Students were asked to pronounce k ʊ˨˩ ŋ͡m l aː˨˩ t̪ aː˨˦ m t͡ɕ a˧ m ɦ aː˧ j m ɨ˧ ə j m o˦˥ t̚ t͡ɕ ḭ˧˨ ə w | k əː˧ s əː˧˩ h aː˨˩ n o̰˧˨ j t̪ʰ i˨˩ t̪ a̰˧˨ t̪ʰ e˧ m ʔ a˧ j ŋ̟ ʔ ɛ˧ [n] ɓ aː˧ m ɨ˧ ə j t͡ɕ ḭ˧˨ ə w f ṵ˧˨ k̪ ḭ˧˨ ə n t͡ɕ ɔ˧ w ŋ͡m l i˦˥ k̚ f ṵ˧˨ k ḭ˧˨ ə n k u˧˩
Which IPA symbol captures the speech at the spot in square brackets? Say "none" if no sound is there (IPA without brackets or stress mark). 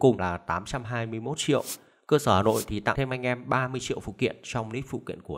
m